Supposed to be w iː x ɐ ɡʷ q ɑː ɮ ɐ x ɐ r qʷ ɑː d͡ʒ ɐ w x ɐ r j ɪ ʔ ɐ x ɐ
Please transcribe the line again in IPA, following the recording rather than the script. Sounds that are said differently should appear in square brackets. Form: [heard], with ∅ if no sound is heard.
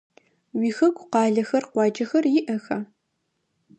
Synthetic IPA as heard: w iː x ɐ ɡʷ q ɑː ɮ ɐ x ɐ r qʷ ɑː d͡ʒ ɐ [∅] x ɐ r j ɪ ʔ ɐ x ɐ